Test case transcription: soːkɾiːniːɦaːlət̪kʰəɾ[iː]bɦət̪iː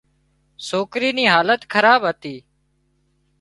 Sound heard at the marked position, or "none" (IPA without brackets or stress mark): aː